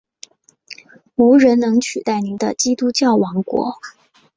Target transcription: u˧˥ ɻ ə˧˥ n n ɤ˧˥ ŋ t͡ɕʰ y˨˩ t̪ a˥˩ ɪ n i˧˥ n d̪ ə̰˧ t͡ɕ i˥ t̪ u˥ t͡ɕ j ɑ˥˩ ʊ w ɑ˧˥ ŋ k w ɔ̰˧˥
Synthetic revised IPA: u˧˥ ɻ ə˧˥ n n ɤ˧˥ ŋ t͡ɕʰ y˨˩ t̪ a˥˩ ɪ n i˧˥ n d̪ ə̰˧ t͡ɕ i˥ t̪ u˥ t͡ɕ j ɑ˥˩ ʊ w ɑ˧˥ ŋ k w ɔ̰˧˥